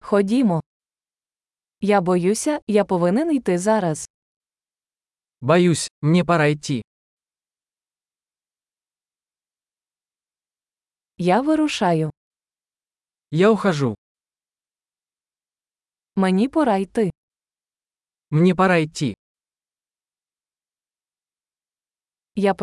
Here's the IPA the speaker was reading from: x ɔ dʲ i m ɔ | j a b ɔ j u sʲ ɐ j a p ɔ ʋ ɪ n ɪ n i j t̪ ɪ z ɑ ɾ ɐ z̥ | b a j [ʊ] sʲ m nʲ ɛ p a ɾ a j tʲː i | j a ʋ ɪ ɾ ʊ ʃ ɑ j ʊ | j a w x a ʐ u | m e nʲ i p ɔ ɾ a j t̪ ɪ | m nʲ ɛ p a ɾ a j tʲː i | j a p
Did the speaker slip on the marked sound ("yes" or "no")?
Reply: yes